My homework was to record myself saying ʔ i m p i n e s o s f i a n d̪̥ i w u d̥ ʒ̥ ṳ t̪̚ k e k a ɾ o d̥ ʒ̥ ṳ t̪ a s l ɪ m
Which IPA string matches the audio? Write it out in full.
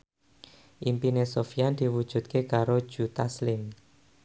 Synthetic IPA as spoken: ʔ i m p i n e s o f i a n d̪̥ i w u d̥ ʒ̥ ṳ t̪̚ k e k a ɾ o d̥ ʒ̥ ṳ t̪ a s l ɪ m